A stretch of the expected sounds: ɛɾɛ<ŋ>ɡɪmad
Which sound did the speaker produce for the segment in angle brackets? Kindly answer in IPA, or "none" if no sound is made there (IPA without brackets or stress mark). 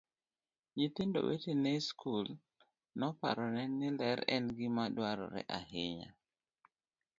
n